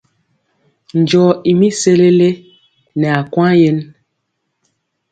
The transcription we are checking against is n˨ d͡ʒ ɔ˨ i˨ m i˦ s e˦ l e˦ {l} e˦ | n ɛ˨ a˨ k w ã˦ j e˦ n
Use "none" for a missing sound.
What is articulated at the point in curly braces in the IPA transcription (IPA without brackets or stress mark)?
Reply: l